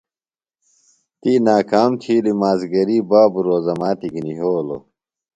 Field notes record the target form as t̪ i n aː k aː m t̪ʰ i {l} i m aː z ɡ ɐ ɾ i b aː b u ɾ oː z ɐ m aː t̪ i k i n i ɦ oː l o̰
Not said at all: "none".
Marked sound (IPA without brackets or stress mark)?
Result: l